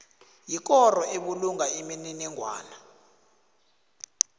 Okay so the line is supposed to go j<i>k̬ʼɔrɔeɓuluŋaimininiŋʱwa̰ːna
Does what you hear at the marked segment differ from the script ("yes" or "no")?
no